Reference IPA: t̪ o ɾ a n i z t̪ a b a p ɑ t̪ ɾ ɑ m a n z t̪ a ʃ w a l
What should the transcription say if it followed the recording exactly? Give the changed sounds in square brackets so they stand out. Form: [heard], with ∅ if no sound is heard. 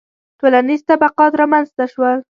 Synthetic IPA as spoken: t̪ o [l] a n i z t̪ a b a [q] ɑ t̪ ɾ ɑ m a n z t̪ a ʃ w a l